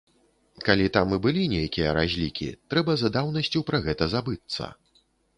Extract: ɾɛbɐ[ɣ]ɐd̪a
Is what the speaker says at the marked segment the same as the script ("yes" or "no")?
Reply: no